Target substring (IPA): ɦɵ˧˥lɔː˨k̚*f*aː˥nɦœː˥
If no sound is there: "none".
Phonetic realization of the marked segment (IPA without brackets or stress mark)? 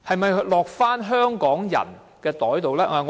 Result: f